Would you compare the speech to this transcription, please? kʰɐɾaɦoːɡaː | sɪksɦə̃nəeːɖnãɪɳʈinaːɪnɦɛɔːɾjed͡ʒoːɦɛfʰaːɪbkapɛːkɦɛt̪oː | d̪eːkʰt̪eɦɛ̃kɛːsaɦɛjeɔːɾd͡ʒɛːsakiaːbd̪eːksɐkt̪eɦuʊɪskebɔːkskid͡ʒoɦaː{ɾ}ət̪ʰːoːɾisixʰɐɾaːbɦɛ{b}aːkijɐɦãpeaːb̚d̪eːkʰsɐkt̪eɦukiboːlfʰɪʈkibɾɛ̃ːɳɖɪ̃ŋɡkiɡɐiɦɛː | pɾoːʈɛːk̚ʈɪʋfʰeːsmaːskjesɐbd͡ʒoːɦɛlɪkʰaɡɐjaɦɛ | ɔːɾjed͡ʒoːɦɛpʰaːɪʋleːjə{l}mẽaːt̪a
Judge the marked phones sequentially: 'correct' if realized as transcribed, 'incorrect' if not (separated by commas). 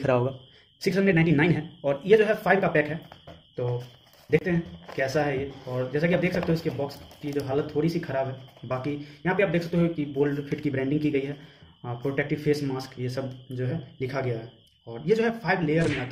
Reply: incorrect, correct, incorrect